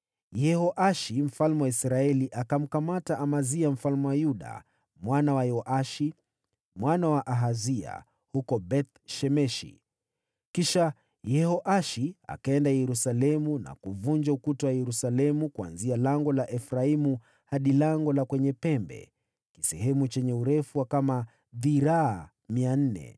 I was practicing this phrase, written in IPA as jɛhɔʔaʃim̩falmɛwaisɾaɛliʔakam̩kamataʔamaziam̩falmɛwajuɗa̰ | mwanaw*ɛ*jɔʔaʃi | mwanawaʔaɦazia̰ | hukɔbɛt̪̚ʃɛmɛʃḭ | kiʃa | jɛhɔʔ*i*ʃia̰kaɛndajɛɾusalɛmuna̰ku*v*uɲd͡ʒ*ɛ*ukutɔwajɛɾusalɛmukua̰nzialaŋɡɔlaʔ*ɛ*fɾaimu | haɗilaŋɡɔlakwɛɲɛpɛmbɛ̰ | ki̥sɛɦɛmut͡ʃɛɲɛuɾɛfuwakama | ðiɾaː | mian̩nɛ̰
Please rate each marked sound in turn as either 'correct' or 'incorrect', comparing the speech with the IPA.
incorrect, incorrect, correct, incorrect, correct

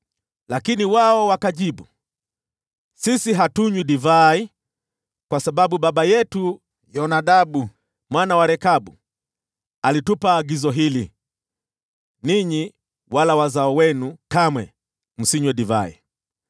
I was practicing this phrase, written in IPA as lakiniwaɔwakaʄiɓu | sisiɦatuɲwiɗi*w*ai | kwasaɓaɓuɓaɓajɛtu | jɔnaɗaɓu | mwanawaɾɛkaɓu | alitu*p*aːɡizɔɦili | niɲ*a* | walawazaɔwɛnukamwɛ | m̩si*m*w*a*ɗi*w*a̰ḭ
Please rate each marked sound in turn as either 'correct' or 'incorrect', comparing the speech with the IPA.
incorrect, correct, incorrect, incorrect, incorrect, incorrect

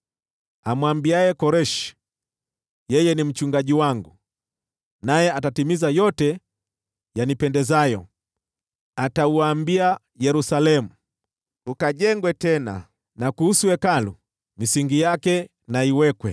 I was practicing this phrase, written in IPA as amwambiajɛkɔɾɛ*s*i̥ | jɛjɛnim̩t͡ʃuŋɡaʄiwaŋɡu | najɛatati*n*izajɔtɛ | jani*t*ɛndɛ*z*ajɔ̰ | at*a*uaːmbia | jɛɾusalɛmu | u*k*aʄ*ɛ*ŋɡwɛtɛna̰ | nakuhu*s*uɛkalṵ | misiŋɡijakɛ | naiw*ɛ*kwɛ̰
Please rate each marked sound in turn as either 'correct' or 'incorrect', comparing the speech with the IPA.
incorrect, incorrect, incorrect, correct, correct, correct, correct, correct, correct

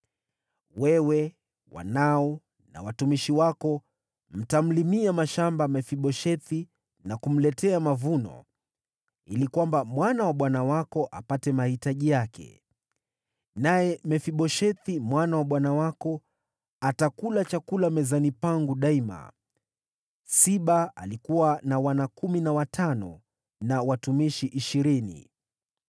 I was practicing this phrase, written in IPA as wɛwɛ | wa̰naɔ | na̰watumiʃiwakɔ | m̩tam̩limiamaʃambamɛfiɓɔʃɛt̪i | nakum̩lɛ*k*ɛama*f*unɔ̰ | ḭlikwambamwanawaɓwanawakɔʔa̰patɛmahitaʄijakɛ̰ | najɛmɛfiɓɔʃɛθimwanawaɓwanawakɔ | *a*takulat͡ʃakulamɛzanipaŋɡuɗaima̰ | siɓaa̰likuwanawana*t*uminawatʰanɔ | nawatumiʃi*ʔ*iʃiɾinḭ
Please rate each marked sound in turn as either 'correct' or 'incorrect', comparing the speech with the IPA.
incorrect, incorrect, correct, incorrect, correct

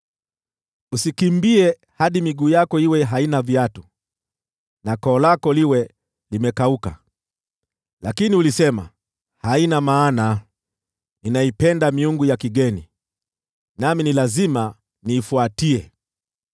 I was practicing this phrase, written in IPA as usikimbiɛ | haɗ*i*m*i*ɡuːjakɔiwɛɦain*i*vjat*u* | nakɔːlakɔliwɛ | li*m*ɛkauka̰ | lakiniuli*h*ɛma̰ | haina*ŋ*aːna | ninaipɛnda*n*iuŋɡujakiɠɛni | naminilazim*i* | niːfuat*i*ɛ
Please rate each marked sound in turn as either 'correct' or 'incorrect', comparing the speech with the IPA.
correct, correct, incorrect, correct, correct, incorrect, incorrect, incorrect, incorrect, correct

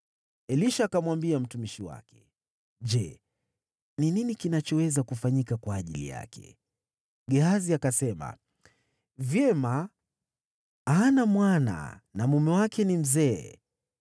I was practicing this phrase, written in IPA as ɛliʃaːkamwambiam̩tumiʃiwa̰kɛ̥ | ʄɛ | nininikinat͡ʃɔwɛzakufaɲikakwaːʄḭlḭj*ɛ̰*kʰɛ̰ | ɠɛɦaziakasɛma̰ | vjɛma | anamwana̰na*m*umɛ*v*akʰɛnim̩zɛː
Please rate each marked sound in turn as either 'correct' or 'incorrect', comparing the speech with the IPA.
incorrect, correct, incorrect

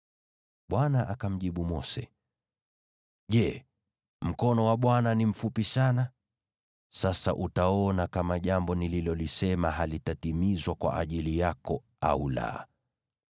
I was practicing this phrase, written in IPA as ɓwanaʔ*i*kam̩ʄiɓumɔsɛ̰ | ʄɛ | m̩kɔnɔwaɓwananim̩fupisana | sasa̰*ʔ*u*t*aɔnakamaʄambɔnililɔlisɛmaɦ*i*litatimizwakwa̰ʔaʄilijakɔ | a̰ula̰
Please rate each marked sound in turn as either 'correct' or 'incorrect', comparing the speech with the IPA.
incorrect, correct, correct, incorrect

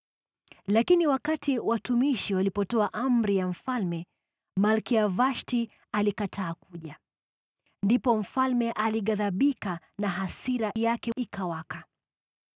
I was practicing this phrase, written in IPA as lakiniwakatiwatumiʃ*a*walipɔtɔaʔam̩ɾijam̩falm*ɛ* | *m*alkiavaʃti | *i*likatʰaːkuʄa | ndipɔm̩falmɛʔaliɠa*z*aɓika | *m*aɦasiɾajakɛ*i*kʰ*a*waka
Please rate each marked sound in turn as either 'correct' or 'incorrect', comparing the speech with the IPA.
incorrect, correct, correct, incorrect, incorrect, incorrect, correct, correct

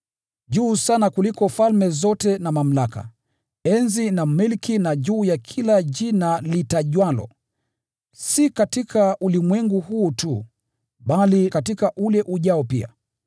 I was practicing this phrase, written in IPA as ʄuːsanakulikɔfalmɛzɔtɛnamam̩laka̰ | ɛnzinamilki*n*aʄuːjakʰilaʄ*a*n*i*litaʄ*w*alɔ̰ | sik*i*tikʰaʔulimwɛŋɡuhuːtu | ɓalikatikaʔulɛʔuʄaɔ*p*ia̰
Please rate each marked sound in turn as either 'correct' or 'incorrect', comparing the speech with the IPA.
correct, incorrect, incorrect, correct, incorrect, correct

